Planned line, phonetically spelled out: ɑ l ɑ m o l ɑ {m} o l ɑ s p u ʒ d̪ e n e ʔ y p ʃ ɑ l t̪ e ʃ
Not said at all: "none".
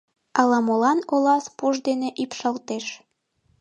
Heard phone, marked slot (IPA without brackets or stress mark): n